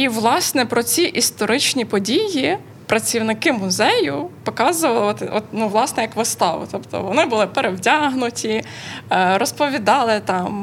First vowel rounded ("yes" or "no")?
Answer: no